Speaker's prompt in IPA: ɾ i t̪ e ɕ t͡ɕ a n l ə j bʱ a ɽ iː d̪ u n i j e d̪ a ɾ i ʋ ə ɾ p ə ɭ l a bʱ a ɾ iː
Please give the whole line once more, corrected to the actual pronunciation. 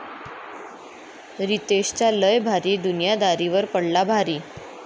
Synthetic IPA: ɾ i t̪ e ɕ t͡ɕ a l ə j bʱ a ɾ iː d̪ u n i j a d̪ a ɾ i ʋ ə ɾ p ə ɽ l a bʱ a ɾ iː